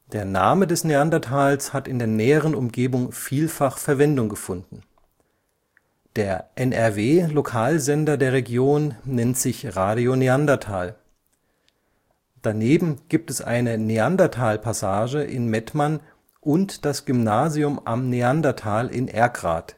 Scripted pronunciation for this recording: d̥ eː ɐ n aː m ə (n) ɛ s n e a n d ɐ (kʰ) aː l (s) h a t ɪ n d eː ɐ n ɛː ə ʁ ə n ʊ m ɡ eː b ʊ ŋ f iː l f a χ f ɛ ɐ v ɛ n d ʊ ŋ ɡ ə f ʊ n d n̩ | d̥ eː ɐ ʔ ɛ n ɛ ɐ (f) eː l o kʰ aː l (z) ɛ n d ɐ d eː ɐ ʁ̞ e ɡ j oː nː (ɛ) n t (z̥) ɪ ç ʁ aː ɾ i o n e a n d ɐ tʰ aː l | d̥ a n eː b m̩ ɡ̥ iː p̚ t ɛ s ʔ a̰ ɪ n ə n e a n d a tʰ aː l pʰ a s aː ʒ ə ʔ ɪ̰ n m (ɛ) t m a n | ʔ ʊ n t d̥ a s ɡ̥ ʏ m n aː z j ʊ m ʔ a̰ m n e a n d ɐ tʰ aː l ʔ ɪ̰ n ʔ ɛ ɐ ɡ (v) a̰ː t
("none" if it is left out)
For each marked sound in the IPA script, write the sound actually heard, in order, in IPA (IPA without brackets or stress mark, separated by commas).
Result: d, tʰ, s, v, z, ɛ, z̥, ɛ, ʁ